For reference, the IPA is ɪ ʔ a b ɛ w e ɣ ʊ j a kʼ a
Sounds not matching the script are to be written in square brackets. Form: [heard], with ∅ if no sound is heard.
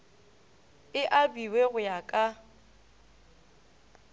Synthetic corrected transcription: ɪ ʔ a b [i] w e ɣ ʊ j a kʼ a